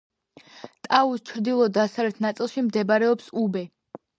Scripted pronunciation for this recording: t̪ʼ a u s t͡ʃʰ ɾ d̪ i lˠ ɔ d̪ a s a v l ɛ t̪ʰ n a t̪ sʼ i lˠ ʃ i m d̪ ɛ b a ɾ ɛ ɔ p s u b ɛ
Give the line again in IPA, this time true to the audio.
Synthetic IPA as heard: t̪ʼ a u s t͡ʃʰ ɾ d̪ i lˠ ɔ d̪ a s a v l ɛ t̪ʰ n a t̪ sʼ i lˠ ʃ i m d̪ ɛ b a ɾ ɛ ɔ p s u b ɛ